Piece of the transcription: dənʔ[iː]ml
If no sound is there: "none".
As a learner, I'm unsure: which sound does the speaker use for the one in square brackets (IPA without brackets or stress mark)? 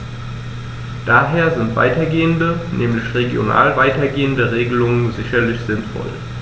ɛː